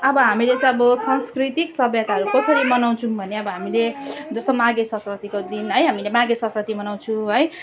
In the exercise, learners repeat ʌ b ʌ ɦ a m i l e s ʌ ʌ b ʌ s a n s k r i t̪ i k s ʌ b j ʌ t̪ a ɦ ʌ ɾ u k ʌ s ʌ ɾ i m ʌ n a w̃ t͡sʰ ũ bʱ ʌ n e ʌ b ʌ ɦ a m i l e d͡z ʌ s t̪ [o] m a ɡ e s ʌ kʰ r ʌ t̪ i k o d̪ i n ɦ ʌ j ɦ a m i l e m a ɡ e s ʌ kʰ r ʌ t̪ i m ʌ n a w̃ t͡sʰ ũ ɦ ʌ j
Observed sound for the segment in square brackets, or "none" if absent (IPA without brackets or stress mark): o